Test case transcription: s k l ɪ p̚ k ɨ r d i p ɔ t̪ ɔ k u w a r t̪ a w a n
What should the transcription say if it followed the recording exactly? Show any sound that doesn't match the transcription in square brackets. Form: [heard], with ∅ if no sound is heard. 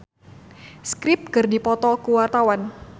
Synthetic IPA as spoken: s k [ɾ] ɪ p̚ k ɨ r d i p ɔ t̪ ɔ k u w a r t̪ a w a n